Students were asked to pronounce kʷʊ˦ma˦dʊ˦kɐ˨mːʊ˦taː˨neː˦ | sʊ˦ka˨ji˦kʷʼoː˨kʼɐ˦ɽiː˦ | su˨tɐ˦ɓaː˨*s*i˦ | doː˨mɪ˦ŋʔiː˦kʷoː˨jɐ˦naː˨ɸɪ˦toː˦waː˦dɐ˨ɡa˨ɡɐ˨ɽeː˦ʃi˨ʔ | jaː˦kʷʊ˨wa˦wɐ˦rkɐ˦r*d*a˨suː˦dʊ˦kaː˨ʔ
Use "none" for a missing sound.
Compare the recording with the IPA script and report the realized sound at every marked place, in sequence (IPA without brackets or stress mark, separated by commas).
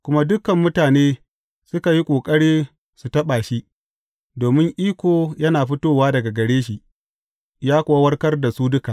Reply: ʃ, d